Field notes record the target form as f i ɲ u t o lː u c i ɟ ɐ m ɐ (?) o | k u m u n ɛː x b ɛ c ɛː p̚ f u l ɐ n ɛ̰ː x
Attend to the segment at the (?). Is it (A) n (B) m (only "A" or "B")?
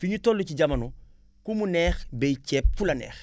A